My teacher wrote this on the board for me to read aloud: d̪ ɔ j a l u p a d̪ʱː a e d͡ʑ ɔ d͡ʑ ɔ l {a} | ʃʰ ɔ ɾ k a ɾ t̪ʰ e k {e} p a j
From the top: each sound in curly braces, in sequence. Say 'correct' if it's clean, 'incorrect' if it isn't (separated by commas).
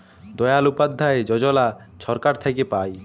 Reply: correct, correct